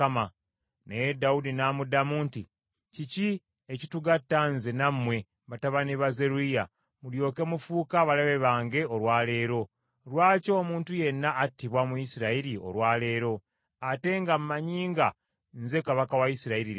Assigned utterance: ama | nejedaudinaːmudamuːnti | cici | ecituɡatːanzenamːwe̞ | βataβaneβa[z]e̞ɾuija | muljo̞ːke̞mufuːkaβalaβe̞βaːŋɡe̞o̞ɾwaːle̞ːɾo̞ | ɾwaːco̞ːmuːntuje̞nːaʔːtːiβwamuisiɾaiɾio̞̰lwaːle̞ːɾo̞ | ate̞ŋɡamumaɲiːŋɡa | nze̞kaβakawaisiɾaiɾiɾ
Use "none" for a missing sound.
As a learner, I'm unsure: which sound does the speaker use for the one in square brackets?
z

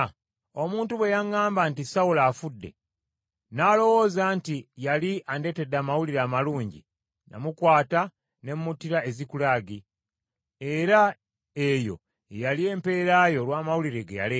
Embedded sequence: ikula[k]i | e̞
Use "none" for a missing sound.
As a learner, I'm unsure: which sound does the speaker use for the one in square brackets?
ɡ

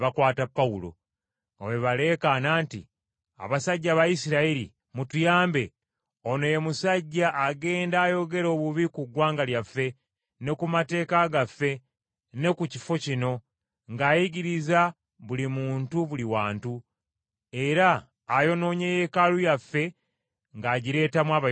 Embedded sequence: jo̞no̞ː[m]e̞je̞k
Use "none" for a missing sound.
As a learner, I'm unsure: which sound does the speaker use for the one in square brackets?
ɲ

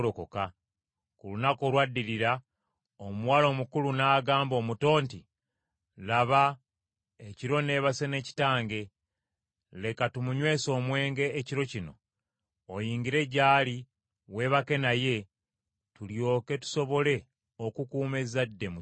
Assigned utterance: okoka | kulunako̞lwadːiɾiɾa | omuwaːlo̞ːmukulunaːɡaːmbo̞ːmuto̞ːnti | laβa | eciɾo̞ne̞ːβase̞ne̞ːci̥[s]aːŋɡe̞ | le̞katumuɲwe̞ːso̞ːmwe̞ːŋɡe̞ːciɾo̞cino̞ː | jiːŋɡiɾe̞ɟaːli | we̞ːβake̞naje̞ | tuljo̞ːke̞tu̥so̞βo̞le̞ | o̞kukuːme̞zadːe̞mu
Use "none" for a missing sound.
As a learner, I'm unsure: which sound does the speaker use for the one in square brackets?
t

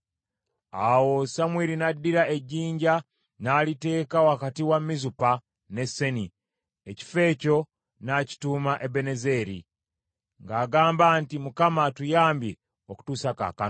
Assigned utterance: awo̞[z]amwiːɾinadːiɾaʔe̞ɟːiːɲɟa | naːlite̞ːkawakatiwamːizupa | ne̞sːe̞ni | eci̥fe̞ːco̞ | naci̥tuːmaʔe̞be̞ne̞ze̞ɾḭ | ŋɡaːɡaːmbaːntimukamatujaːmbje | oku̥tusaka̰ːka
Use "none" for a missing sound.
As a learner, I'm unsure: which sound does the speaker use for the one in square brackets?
s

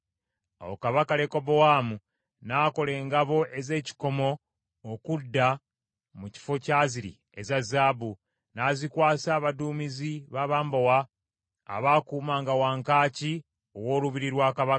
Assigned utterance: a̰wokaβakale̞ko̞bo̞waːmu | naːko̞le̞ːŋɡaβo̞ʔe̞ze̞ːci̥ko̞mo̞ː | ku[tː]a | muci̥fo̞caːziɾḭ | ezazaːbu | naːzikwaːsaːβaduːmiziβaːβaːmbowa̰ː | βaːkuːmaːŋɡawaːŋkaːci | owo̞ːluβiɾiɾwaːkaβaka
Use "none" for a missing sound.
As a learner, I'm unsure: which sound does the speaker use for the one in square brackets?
dː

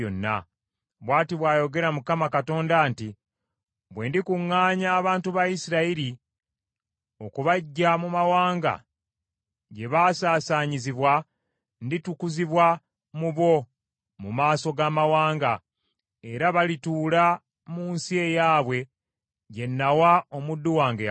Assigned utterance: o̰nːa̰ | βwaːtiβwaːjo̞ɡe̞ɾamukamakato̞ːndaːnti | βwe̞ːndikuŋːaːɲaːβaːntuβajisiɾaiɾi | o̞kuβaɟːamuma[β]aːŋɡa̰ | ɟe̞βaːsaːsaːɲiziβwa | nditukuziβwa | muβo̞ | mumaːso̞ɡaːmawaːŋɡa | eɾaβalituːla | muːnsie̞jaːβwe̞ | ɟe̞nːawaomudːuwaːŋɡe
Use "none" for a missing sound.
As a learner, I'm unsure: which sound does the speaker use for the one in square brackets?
w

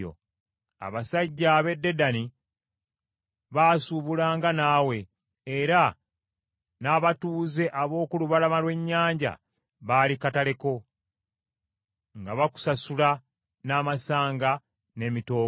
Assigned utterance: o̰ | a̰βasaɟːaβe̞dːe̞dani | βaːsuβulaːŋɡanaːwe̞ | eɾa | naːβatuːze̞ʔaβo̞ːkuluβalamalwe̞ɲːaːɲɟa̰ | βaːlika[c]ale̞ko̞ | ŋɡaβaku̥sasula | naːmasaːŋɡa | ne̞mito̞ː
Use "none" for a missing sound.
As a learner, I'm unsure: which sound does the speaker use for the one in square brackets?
t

